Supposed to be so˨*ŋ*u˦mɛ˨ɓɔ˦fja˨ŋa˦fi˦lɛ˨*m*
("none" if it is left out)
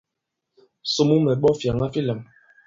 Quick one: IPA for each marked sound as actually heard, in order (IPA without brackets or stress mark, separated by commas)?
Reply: m, m